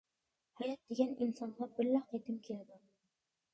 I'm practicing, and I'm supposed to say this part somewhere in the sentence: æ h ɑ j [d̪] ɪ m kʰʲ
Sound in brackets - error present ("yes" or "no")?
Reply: yes